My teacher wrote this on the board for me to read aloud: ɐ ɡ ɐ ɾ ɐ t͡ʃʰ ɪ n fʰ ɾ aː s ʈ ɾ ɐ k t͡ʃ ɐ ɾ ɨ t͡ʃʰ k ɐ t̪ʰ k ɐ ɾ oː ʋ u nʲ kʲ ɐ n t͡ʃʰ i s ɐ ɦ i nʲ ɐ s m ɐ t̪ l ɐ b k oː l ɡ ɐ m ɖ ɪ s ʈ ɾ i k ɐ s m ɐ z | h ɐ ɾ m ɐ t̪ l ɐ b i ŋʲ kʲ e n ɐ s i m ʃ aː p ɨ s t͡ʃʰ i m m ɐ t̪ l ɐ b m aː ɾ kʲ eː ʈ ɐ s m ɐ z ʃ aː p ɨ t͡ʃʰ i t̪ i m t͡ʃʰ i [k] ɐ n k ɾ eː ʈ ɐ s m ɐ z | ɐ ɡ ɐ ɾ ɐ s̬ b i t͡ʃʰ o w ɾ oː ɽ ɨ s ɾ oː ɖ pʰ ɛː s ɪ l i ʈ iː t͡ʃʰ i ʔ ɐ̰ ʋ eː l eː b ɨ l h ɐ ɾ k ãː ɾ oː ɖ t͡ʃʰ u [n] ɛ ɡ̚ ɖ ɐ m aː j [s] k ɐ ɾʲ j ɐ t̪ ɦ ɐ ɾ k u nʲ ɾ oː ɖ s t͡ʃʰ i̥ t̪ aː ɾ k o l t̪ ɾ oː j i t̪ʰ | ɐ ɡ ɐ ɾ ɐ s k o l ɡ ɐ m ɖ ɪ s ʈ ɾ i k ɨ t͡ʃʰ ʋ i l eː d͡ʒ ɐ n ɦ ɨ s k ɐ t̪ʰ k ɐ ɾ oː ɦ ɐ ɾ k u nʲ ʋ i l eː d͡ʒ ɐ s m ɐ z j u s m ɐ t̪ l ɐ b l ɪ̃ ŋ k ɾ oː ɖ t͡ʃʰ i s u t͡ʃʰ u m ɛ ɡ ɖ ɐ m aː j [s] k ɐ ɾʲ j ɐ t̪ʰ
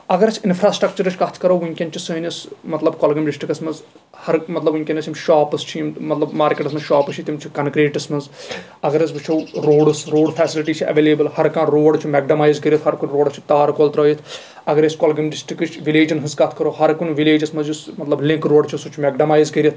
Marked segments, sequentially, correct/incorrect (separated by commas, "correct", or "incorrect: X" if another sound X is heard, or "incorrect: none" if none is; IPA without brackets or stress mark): correct, incorrect: m, incorrect: z, incorrect: z